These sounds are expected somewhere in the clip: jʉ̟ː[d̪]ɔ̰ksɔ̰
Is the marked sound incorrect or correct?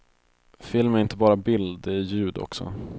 correct